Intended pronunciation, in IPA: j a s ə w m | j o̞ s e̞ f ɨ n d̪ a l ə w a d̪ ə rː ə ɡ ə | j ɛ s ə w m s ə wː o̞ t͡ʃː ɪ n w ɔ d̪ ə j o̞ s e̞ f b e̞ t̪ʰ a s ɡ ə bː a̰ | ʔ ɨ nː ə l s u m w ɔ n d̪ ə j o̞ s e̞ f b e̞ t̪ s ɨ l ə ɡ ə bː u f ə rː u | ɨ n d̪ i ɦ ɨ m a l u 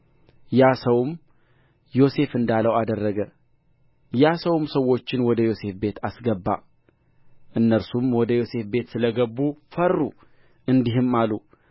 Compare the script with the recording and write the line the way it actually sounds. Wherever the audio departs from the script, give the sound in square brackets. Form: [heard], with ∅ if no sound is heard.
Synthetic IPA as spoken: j a s ə w m | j o̞ s e̞ f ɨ n d̪ a l ə w a d̪ ə rː ə ɡ ə | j [a] s ə w m s ə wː o̞ t͡ʃː ɪ n w ɔ d̪ ə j o̞ s e̞ f b e̞ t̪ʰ a s ɡ ə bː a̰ | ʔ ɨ nː ə [ɾ] s u m w ɔ [∅] d̪ ə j o̞ s e̞ f b e̞ t̪ s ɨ l ə ɡ ə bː u f ə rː u | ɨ n d̪ i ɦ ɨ m a l u